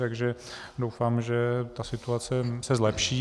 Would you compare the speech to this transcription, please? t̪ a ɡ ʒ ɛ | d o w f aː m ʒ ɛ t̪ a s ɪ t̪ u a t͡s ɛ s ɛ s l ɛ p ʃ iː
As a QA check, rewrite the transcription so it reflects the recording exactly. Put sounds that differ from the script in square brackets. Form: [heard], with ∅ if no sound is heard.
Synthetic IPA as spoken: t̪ a ɡ ʒ ɛ | d o w f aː m ʒ ɛ t̪ a s ɪ t̪ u a t͡s ɛ s ɛ [z] l ɛ p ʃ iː